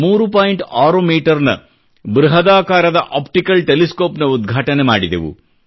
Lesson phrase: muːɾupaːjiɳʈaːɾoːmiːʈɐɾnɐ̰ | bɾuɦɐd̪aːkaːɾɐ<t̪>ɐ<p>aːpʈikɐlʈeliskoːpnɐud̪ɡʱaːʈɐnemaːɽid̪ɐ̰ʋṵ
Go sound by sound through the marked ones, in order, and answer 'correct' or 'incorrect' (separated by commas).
incorrect, incorrect